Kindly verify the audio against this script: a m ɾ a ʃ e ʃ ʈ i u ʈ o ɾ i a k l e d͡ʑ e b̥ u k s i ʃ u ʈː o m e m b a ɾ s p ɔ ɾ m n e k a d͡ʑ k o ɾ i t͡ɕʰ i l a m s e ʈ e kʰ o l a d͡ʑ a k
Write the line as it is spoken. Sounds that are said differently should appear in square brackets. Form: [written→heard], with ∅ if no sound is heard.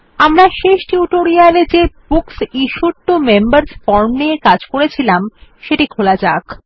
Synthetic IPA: a m ɾ a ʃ e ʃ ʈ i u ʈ o ɾ i a [k→∅] l e d͡ʑ e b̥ u k s i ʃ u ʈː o m e m b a ɾ s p ɔ ɾ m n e k a d͡ʑ k o ɾ [i→e] t͡ɕʰ i l a m [s→ʃ] e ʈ [e→i] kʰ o l a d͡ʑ a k